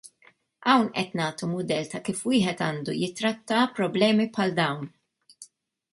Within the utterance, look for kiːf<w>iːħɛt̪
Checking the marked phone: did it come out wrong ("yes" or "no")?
no